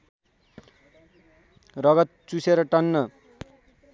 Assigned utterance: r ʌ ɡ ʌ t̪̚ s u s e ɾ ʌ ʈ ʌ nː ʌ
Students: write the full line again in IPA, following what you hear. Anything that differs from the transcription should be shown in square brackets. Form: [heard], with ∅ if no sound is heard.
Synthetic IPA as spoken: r ʌ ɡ ʌ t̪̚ [t͡s] u s e ɾ ʌ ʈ ʌ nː ʌ